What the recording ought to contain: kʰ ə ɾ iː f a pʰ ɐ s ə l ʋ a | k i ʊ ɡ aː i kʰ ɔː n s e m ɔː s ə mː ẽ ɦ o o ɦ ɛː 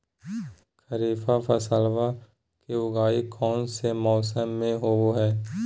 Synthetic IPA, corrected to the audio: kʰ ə ɾ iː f a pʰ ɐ s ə l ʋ a | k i ʊ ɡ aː i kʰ ɔː n s e m ɔː s ə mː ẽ ɦ o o ɦ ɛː